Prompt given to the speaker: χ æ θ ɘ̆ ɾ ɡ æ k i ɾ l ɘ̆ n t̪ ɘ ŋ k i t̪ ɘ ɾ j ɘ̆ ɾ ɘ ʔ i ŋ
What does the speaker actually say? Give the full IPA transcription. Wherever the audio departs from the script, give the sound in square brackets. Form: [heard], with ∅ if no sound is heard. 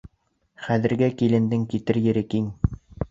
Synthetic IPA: χ æ [ð] ɘ̆ ɾ ɡ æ k i [∅] l ɘ̆ n [d̪] ɘ ŋ k i t̪ ɘ ɾ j ɘ̆ ɾ ɘ [k] i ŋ